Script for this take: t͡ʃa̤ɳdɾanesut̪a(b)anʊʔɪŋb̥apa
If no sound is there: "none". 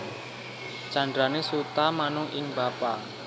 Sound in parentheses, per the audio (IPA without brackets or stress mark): m